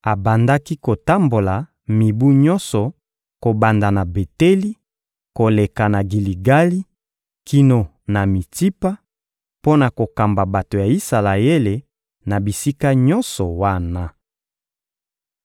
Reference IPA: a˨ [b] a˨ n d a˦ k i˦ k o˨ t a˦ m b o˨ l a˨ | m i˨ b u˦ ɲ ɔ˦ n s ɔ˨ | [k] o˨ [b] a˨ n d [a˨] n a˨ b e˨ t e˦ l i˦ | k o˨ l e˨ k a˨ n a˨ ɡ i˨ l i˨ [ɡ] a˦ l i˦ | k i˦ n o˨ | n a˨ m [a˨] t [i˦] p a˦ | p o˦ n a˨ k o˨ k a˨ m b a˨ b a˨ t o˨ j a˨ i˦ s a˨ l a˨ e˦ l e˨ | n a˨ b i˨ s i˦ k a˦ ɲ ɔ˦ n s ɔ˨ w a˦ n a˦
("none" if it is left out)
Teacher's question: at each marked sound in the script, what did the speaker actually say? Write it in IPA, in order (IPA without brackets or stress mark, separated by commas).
b, k, b, a˨, ɡ, i˨, i˦